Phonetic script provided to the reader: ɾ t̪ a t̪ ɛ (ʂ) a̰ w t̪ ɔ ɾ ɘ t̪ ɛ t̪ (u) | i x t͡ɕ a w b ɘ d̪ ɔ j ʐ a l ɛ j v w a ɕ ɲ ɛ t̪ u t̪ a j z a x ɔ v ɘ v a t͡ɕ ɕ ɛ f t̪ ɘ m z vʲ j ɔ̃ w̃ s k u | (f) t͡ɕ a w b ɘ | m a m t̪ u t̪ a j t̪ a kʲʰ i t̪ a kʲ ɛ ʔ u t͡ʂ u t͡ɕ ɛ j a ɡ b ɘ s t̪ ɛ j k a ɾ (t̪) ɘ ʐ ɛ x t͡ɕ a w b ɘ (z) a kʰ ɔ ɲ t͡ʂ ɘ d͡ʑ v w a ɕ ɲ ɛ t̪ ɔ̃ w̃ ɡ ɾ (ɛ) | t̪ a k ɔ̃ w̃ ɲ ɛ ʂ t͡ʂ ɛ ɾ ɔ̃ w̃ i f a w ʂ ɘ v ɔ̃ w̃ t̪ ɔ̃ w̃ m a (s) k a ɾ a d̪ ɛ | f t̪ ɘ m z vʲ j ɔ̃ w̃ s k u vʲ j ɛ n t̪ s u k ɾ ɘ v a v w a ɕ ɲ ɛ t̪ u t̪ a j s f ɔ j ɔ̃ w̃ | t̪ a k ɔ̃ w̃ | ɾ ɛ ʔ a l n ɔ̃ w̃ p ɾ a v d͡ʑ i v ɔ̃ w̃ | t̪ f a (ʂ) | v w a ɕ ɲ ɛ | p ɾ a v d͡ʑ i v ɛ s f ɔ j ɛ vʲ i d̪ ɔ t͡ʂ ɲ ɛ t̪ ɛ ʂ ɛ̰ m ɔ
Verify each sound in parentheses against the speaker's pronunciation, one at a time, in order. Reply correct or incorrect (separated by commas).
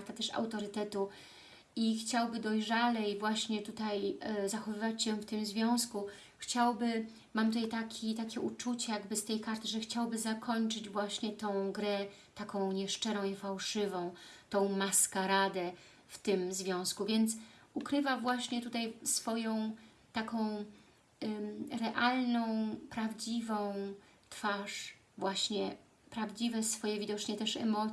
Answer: correct, correct, incorrect, correct, correct, correct, correct, correct